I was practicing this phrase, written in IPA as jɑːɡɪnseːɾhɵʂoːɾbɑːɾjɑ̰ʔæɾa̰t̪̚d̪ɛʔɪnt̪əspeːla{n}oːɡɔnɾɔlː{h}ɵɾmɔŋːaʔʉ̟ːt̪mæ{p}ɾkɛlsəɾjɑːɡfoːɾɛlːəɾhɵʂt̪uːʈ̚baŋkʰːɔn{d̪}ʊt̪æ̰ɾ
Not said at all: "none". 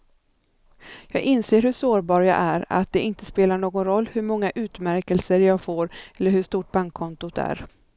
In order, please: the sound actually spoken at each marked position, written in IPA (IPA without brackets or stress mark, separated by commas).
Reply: ɳ, h, none, t̪